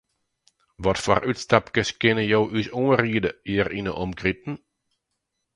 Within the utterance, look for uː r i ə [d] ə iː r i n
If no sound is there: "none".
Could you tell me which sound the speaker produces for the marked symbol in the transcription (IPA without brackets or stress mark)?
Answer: d